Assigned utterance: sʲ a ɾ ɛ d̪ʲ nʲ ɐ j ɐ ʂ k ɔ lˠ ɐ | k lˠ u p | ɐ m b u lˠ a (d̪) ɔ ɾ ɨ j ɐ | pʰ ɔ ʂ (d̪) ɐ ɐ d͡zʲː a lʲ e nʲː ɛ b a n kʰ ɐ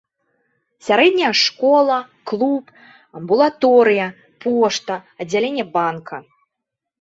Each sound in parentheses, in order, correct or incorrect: incorrect: t̪, incorrect: t̪

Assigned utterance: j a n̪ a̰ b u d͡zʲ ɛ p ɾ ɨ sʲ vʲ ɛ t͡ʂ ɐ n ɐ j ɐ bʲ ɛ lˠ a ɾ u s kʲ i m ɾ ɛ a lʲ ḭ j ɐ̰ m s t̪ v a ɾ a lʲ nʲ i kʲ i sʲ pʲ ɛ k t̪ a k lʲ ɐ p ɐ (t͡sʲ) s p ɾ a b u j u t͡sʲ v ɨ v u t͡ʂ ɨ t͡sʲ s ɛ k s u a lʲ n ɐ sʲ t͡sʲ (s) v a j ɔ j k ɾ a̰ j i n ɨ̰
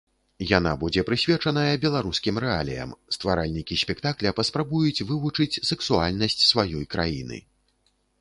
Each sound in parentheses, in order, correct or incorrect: incorrect: none, correct

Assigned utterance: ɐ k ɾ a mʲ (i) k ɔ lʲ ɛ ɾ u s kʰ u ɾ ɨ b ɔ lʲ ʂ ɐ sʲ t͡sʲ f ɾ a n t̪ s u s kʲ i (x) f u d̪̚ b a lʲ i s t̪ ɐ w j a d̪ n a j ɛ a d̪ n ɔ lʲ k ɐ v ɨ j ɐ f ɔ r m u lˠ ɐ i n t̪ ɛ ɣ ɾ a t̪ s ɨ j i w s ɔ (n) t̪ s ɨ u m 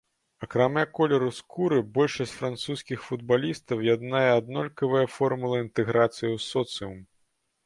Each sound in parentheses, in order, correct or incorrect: incorrect: a, correct, incorrect: none

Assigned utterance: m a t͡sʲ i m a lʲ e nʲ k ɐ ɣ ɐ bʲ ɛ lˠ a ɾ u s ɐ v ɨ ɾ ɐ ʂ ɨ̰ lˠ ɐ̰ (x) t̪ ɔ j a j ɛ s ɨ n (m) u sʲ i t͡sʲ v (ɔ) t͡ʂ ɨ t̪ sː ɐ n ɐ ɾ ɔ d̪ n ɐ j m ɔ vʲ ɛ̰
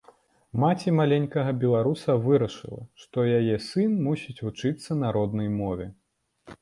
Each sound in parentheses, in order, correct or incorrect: incorrect: ʂ, correct, incorrect: u

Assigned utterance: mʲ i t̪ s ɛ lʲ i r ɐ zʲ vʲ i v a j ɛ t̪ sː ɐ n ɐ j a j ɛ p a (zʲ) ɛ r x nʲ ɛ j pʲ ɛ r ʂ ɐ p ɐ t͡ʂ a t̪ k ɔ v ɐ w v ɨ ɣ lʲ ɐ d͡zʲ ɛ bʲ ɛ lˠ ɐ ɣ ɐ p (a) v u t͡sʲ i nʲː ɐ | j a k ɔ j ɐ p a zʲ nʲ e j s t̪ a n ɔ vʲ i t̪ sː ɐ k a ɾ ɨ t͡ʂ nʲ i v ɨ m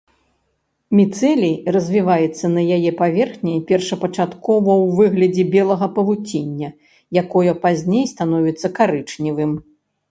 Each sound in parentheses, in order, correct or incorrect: incorrect: vʲ, incorrect: ɐ

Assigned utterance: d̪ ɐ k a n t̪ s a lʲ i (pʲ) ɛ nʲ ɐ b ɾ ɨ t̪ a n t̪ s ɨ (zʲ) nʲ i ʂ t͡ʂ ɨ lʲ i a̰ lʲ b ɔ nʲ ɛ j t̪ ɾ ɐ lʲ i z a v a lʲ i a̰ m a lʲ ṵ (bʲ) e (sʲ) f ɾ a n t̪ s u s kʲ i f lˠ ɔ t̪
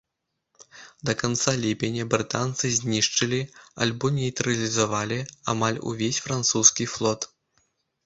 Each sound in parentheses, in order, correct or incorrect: correct, correct, incorrect: vʲ, correct

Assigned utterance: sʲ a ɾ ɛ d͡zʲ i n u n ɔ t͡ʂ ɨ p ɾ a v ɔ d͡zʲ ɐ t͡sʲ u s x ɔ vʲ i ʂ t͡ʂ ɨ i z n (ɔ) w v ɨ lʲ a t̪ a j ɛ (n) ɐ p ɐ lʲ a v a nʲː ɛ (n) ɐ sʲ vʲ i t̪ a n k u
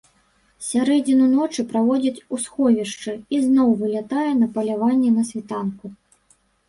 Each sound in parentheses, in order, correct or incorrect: correct, correct, correct

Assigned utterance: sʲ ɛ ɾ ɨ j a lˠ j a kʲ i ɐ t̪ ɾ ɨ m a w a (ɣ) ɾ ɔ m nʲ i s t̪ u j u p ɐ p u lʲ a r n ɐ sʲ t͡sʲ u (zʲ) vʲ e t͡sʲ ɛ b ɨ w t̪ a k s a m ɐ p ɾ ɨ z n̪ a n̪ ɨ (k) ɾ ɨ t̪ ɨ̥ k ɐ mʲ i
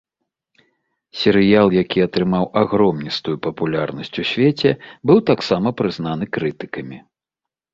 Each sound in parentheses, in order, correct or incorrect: correct, incorrect: sʲ, correct

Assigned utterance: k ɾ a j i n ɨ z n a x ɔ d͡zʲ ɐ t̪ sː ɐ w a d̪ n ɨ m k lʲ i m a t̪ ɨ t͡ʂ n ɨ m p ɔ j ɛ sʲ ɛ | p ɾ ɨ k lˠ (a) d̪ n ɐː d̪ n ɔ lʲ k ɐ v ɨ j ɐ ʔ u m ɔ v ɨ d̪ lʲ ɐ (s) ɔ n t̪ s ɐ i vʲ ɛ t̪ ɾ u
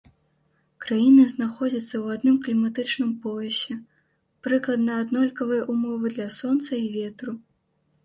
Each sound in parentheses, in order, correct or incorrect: incorrect: ɐ, correct

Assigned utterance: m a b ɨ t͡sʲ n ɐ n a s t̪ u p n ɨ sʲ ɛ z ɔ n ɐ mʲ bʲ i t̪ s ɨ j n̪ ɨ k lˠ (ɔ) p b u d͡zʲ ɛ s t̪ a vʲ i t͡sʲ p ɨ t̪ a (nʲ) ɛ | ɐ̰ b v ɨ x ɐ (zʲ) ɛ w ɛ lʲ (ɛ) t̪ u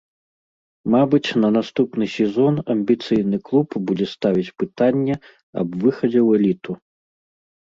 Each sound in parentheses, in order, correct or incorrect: incorrect: u, incorrect: nʲː, incorrect: d͡zʲ, incorrect: i

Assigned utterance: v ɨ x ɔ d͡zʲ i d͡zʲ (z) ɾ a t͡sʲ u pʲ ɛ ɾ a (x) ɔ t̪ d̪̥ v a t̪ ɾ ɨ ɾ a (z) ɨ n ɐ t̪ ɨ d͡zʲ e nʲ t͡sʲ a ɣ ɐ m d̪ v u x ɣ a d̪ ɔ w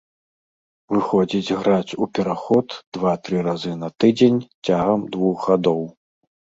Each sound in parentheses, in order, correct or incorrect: incorrect: ɣ, correct, correct

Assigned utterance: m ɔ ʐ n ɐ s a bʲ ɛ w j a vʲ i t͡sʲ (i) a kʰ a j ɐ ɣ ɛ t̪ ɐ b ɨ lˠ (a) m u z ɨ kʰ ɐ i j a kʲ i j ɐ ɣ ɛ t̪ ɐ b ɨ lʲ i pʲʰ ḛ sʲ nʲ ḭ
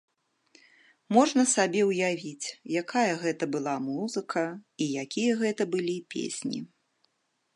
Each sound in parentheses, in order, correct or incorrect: incorrect: j, correct

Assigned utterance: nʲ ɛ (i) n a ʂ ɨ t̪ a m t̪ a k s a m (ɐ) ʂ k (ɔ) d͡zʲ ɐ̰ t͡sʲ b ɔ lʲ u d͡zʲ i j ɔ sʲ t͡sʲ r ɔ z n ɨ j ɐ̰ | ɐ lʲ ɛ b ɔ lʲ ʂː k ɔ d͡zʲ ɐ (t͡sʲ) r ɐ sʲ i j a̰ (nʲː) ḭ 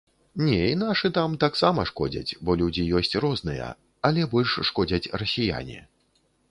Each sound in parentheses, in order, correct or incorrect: correct, correct, correct, correct, incorrect: nʲ

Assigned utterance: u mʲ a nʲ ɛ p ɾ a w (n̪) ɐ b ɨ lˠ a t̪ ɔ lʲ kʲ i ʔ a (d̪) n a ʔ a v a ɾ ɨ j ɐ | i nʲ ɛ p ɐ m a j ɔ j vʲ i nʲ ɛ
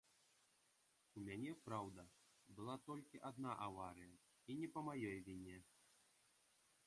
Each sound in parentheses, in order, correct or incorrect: incorrect: d̪, correct

